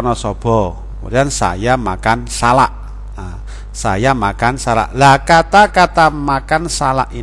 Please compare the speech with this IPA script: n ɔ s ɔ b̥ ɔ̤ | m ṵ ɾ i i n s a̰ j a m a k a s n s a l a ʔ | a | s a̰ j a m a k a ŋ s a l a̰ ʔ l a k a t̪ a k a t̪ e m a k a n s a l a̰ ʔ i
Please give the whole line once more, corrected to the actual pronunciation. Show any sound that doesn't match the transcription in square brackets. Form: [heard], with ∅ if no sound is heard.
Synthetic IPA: n ɔ s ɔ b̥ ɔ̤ | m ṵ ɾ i [a] n s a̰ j a m a k a [∅] n s a l a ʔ | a | s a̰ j a m a k a [n] s a l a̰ ʔ l a k a t̪ a k a t̪ [a] m a k a n s a l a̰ ʔ i